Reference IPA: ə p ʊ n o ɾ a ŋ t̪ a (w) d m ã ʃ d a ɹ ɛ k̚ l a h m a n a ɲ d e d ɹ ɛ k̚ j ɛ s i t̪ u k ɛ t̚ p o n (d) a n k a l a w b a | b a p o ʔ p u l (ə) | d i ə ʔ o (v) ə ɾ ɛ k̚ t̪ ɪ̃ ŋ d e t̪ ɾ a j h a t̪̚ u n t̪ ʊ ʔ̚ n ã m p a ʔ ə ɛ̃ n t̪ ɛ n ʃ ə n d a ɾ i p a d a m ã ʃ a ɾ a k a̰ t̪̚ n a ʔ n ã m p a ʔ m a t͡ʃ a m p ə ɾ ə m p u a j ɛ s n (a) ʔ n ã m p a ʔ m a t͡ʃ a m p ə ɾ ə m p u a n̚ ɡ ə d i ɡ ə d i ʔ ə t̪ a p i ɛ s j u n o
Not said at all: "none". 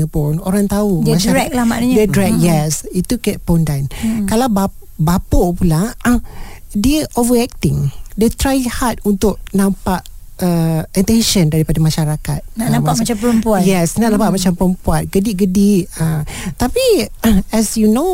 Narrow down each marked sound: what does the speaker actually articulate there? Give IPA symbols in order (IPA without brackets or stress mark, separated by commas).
u, d, a, v, a